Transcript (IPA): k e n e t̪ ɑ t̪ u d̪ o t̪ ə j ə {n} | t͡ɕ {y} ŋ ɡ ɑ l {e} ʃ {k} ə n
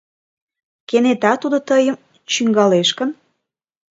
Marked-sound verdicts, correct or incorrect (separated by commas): incorrect, correct, correct, correct